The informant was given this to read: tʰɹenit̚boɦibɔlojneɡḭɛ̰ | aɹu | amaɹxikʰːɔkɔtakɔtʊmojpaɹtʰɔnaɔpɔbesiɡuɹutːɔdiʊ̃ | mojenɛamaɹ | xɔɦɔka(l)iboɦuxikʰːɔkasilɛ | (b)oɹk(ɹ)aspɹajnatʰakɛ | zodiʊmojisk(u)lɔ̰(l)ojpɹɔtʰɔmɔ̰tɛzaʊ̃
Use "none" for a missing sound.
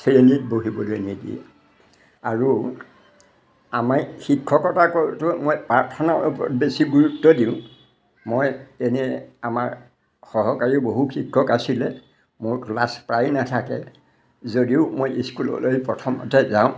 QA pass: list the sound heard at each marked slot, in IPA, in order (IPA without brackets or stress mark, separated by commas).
ɹ, m, l, u, l